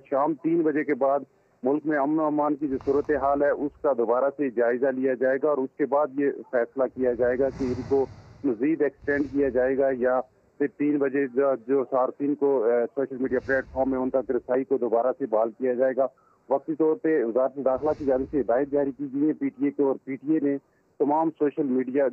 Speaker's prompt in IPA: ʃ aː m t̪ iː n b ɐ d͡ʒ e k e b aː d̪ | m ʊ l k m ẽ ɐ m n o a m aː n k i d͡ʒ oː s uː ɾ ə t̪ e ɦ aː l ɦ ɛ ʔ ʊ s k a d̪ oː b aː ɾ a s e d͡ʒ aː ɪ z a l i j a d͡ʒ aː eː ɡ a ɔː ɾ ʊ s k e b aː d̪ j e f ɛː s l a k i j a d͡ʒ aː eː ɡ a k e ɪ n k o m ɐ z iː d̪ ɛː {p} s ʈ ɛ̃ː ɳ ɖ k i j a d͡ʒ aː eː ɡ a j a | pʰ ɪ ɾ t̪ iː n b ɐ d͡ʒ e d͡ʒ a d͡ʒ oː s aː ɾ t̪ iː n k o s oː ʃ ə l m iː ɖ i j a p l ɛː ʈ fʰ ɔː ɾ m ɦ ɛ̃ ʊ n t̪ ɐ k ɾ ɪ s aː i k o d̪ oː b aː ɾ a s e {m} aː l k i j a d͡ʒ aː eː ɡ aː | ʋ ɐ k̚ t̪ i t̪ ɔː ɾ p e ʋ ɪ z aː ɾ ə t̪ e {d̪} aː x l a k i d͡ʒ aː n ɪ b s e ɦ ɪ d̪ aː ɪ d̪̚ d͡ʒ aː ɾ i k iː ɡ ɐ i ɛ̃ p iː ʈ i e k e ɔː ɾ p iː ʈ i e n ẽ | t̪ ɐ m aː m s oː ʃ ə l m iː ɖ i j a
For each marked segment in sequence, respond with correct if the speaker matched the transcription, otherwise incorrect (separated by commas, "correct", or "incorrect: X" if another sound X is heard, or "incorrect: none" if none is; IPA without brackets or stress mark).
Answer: incorrect: k, incorrect: b, correct